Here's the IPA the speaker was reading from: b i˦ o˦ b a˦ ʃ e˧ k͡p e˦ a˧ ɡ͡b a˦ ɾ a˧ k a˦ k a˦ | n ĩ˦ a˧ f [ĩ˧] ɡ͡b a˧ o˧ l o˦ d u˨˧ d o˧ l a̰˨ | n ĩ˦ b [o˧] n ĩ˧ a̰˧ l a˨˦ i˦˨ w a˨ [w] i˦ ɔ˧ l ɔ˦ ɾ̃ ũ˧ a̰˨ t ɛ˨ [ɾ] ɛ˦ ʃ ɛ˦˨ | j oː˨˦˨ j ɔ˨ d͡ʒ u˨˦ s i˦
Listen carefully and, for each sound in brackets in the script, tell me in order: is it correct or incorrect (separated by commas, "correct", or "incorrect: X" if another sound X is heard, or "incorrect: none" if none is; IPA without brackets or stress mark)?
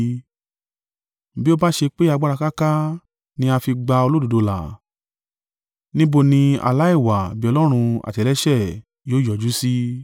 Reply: incorrect: i˧, correct, incorrect: b, incorrect: l